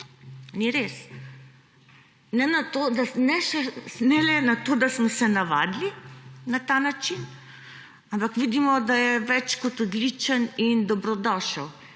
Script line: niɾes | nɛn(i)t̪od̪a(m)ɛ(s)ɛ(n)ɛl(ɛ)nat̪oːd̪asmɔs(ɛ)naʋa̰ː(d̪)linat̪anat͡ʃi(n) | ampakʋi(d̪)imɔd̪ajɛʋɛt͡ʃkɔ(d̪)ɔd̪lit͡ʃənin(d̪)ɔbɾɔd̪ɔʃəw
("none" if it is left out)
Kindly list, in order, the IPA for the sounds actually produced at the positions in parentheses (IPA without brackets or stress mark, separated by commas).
a, n, ʃ, n, ɛ, ɛ, d̪, n, d̪, t̪, d̪